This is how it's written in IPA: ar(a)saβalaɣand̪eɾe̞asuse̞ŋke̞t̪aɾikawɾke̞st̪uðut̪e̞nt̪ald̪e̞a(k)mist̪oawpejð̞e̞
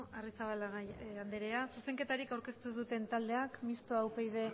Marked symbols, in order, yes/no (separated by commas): no, yes